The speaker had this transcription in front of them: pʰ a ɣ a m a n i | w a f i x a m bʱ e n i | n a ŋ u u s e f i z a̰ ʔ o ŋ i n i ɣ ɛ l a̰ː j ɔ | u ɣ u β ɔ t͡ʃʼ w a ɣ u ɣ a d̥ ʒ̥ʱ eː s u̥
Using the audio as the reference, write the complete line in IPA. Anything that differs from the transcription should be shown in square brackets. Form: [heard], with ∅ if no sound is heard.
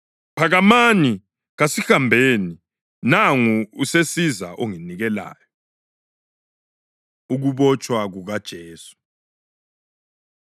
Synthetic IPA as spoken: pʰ a ɣ a m a n i | [ɣ] a [s] i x a m bʱ e n i | n a ŋ u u s e [s] i z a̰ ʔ o ŋ i n i ɣ ɛ l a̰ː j ɔ | u ɣ u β ɔ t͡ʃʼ w a ɣ u ɣ a d̥ ʒ̥ʱ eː s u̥